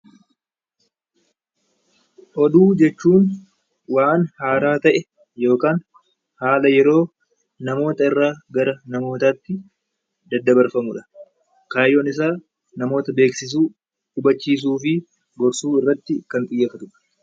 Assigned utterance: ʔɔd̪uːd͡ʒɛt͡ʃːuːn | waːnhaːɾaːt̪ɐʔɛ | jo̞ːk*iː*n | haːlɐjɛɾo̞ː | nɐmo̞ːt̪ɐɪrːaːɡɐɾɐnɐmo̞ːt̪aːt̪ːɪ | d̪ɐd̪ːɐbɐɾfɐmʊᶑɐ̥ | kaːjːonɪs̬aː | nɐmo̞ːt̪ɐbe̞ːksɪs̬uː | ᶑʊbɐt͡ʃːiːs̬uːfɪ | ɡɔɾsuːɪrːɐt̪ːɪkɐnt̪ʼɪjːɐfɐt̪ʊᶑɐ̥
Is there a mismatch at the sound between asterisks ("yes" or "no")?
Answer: yes